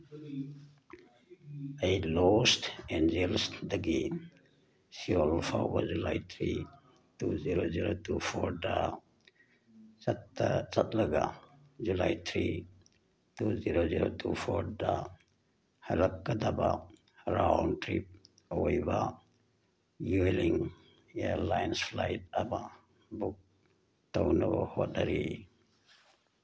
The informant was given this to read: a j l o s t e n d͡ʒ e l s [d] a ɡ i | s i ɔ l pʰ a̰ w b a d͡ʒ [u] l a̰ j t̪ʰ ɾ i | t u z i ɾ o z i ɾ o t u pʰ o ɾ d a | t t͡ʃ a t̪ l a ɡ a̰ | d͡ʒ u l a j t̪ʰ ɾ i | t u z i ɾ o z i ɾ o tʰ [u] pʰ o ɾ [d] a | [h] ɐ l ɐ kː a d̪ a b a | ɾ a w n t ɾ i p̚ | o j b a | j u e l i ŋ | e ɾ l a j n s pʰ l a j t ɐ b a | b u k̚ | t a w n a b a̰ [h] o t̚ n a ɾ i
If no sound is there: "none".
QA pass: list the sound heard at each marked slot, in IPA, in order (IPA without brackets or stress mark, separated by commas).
d, u, u, d, h, h